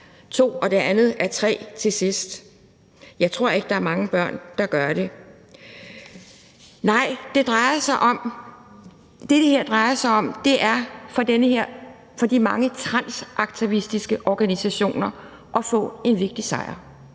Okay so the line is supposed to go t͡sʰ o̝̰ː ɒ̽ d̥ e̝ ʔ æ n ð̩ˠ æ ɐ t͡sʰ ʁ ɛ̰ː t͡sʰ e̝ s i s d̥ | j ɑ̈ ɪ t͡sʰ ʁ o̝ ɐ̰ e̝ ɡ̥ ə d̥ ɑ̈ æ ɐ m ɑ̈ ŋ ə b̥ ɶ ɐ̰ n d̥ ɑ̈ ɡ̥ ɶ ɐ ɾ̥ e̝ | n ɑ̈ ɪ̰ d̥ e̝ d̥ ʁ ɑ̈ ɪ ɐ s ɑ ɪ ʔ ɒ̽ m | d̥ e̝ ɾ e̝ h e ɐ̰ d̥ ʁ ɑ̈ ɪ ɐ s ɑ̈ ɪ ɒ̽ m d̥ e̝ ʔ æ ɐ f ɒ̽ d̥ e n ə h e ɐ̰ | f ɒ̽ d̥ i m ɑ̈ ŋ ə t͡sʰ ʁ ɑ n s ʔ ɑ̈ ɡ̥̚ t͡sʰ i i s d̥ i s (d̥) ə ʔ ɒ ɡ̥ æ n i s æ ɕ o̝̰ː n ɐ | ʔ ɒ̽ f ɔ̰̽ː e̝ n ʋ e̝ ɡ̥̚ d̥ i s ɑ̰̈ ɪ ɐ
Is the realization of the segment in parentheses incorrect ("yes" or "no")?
yes